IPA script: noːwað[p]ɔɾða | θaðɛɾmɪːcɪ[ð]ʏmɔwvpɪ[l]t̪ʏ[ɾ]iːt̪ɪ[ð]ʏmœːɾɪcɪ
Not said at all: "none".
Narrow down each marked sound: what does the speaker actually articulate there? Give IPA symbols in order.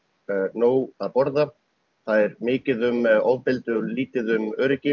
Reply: p, ð, l, l, ð

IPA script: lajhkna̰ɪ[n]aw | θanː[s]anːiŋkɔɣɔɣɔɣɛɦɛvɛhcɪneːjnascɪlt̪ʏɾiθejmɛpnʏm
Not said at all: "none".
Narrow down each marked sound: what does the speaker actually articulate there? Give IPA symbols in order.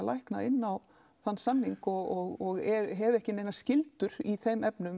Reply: nː, s

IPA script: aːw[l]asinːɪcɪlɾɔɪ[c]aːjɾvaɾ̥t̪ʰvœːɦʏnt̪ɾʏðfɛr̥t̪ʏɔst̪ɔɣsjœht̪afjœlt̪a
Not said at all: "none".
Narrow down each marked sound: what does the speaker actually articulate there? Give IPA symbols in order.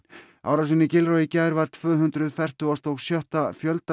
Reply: ɾ, c

